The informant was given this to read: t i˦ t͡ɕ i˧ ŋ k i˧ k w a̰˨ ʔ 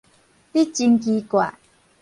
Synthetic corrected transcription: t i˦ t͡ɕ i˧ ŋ k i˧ k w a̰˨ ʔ